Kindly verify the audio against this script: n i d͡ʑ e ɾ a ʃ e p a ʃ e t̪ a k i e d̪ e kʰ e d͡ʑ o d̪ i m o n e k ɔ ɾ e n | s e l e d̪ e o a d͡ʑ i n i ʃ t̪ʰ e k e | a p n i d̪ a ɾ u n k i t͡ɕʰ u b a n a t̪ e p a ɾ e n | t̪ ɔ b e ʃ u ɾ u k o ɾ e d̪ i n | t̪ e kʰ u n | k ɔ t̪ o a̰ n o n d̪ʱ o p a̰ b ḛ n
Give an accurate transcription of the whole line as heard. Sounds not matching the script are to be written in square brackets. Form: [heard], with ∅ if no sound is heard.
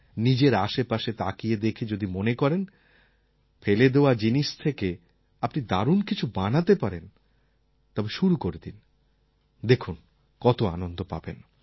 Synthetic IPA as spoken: n i d͡ʑ e ɾ a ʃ e p a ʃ e t̪ a k i e d̪ e kʰ e d͡ʑ o d̪ i m o n e k ɔ ɾ e n | [f] e l e d̪ e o a d͡ʑ i n i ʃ t̪ʰ e k e | a p n i d̪ a ɾ u n k i t͡ɕʰ u b a n a t̪ e p a ɾ e n | t̪ ɔ b e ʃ u ɾ u k o ɾ e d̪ i n | [d̪] e kʰ u n | k ɔ t̪ o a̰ n o n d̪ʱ o p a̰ b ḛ n